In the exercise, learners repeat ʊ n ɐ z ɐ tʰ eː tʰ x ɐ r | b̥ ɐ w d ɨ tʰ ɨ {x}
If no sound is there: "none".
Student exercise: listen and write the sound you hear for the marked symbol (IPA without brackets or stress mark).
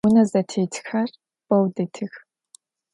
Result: x